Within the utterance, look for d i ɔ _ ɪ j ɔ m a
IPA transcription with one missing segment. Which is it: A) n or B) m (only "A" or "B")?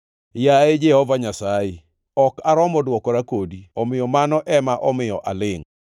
B